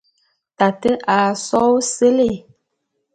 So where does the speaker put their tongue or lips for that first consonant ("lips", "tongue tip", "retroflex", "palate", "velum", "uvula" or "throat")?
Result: tongue tip